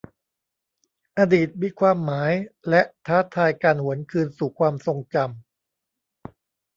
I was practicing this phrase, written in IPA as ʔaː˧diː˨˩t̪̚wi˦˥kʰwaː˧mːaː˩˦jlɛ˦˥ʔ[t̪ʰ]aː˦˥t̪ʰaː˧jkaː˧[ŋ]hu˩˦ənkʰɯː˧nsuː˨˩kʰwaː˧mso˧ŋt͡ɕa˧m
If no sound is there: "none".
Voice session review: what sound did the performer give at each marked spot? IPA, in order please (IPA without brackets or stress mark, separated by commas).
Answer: t̪ʰ, n